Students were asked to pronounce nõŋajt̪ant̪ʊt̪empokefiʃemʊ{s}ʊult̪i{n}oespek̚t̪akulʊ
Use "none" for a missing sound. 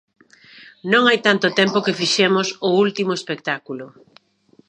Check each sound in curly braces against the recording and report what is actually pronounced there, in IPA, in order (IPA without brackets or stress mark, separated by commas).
s, m